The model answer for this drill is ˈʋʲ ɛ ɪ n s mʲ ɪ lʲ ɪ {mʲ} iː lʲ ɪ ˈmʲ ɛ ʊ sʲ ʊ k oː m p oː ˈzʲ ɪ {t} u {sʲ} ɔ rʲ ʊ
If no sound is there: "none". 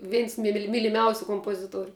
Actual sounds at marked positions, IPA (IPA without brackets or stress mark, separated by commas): mʲ, t, none